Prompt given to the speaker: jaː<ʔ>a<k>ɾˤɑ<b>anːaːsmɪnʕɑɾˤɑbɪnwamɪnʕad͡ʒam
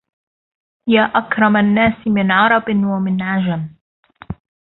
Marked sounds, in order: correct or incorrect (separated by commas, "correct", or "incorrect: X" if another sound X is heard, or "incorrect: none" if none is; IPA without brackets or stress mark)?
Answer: correct, correct, incorrect: m